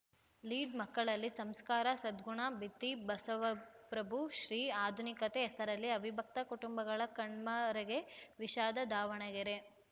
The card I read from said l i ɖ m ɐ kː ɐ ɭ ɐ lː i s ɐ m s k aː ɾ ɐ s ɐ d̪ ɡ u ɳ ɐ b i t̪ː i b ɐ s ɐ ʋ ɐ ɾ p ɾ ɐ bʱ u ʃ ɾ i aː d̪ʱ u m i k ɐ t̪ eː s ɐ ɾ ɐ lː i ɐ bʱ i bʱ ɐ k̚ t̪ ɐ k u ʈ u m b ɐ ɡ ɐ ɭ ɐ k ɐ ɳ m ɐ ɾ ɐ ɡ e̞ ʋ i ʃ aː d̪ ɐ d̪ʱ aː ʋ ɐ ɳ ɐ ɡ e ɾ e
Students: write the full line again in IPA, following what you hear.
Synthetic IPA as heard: l iː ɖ m ɐ kː ɐ ɭ ɐ lː i s ɐ m s k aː ɾ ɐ s ɐ d̪ ɡ u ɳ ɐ b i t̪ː i b ɐ s ɐ ʋ ɐ p ɾ ɐ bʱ u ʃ ɾ iː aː d̪ʱ u n i k ɐ t̪ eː s ɐ ɾ ɐ lː i ɐ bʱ i bʱ ɐ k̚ t̪ ɐ k u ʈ u m b ɐ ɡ ɐ ɭ ɐ k ɐ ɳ m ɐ ɾ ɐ ɡ e̞ ʋ i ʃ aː d̪ ɐ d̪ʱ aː ʋ ɐ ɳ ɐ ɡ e ɾ e

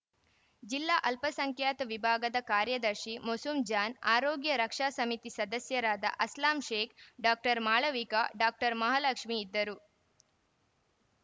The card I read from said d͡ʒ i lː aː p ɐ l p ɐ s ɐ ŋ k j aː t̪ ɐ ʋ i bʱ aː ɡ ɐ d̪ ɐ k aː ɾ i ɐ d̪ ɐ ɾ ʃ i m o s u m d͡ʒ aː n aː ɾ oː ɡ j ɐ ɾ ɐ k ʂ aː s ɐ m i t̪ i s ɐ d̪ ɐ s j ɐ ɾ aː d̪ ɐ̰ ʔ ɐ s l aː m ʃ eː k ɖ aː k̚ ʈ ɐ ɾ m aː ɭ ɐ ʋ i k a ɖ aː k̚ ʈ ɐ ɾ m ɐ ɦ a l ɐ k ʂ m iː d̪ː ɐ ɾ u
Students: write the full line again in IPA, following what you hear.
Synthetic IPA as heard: d͡ʒ i lː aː ʔ ɐ l p ɐ s ɐ ŋ k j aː t̪ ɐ ʋ i bʱ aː ɡ ɐ d̪ ɐ k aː ɾ j ɐ d̪ ɐ ɾ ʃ i m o s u m d͡ʒ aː n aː ɾ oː ɡ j ɐ ɾ ɐ k ʂ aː s ɐ m i t̪ i s ɐ d̪ ɐ s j ɐ ɾ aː d̪ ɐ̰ ʔ ɐ s l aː m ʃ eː k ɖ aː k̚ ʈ ɐ ɾ m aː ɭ ɐ ʋ i k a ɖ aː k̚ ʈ ɐ ɾ m ɐ ɦ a l ɐ k ʂ m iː d̪ː ɐ ɾ u

